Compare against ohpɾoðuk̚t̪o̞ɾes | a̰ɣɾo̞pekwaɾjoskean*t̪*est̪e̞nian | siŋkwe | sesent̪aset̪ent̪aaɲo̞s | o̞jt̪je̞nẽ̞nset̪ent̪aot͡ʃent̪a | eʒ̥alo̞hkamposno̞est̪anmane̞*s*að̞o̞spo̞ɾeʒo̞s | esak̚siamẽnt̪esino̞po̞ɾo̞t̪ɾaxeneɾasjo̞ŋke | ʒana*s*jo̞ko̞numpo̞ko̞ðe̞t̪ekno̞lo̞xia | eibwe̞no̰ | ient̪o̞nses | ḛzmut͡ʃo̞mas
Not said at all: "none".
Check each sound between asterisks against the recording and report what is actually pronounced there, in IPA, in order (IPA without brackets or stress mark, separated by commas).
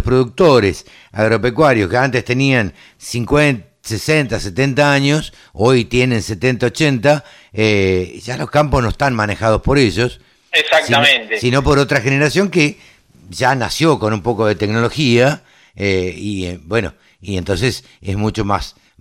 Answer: t̪, x, s